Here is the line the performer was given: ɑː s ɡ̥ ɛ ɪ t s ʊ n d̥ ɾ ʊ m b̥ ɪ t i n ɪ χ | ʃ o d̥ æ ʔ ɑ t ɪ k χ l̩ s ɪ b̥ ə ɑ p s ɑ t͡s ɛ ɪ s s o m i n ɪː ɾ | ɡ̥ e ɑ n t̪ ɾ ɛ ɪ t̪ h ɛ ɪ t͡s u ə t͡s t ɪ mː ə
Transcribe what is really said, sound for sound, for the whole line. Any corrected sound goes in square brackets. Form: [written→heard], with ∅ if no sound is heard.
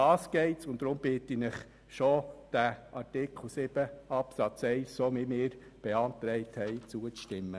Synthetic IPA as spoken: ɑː s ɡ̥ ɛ ɪ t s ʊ n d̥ ɾ ʊ m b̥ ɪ t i n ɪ χ | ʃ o d̥ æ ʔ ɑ t ɪ k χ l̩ s ɪ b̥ ə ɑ p s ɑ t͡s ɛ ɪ s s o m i [n→m] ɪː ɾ | [ɡ̥→b̥] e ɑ n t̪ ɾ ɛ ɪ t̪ h ɛ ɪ t͡s u ə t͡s t ɪ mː ə